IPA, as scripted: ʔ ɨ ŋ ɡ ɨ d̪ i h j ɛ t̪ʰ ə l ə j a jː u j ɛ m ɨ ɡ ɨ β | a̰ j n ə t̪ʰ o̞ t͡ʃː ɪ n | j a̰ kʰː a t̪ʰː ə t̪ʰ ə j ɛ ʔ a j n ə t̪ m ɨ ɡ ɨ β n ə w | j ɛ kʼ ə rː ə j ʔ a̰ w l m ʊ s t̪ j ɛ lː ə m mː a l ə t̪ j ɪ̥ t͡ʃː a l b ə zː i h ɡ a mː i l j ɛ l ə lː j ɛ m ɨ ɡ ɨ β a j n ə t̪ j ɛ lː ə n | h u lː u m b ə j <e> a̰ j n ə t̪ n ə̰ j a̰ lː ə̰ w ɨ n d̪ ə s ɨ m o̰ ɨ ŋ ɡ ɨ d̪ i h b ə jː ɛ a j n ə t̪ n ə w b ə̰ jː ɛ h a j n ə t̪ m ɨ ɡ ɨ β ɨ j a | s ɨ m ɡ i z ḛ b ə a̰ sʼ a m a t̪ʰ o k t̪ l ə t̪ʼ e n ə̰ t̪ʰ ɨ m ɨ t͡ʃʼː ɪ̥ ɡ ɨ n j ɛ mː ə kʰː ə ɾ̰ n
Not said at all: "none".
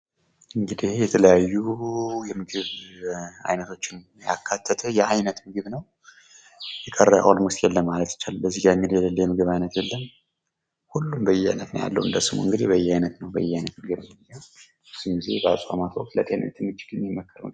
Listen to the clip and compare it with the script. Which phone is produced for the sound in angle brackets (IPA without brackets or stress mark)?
ɛ